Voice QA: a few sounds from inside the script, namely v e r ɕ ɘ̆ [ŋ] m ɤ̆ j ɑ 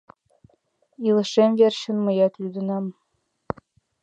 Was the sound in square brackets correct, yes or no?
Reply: no